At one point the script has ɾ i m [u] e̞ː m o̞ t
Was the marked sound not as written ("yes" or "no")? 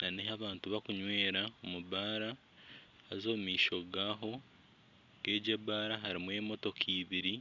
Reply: yes